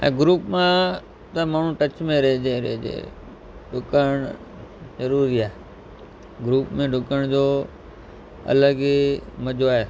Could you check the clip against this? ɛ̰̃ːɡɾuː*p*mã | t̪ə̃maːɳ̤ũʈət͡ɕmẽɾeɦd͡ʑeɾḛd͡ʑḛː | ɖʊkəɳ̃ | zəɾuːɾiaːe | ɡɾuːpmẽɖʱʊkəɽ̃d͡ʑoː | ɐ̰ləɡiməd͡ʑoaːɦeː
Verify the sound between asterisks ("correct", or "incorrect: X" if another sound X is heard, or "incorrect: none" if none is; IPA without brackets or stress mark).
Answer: correct